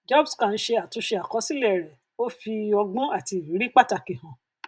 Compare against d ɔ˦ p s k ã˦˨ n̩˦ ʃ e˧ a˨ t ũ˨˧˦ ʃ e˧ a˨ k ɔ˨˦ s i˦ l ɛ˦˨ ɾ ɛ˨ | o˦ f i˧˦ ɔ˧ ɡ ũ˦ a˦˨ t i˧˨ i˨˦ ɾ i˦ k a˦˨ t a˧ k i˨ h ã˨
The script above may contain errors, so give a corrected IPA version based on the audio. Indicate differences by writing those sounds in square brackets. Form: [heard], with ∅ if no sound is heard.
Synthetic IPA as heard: [d͡ʒ] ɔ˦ [b] s k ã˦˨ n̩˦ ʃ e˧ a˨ t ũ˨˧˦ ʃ e˧ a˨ k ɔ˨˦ s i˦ l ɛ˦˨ ɾ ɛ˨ | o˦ f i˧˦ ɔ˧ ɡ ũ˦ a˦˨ t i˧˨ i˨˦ ɾ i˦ [k͡p] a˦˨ t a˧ k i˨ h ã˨